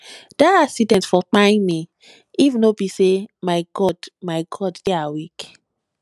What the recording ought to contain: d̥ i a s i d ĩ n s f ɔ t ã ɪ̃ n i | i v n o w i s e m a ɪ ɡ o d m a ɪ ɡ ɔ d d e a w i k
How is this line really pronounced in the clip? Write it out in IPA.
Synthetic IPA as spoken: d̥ a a s i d ɛ̃ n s f ɔ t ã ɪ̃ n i | i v n o b i s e m a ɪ ɡ ɔ d m a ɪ ɡ ɔ d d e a w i k